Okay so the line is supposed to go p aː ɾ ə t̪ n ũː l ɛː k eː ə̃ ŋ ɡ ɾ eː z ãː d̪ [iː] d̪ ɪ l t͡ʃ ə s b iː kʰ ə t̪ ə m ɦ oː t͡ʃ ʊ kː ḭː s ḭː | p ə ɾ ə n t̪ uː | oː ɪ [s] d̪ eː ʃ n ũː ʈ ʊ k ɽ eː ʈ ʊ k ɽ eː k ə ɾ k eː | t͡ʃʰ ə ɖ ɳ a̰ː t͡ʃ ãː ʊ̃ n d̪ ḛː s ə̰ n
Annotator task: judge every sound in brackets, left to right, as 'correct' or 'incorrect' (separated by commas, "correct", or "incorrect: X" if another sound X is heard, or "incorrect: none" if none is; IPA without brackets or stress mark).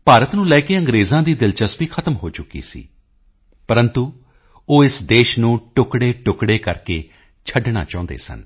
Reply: correct, correct